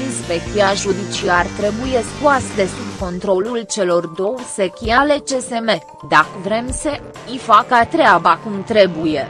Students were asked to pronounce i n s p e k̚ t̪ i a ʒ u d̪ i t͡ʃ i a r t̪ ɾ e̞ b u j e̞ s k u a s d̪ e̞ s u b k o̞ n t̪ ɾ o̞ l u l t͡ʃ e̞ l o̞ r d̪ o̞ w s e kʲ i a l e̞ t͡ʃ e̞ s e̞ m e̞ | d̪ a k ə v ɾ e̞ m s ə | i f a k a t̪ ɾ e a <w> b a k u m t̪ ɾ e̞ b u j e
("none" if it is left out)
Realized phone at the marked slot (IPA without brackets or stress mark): none